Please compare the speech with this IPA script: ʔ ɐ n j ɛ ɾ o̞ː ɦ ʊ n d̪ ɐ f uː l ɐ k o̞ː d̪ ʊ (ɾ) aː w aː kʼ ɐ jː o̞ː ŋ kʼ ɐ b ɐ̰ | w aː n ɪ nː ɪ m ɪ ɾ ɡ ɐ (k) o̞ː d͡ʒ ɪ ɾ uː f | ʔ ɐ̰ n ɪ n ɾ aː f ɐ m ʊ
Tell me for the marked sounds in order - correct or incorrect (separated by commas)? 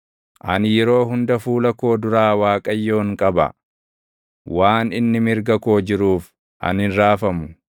correct, correct